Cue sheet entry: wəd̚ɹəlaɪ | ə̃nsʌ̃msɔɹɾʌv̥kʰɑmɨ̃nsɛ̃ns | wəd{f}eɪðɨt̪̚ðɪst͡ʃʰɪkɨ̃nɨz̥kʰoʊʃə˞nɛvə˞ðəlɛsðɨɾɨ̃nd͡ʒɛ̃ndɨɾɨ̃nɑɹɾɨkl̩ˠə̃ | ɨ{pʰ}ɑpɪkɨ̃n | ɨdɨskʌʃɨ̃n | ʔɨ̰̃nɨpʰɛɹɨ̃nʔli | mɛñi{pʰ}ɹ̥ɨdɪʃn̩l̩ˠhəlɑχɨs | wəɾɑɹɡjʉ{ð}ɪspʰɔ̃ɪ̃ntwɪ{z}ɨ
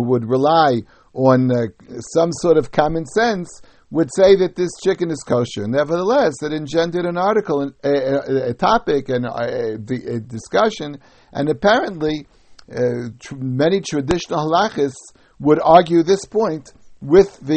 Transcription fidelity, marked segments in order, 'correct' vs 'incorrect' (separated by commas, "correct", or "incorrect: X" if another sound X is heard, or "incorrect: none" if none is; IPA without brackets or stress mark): incorrect: s, incorrect: tʰ, incorrect: tʰ, correct, incorrect: ð